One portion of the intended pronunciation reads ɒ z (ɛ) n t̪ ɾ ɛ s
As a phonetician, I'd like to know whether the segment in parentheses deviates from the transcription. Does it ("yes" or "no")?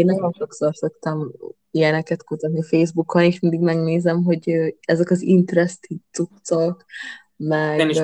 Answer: yes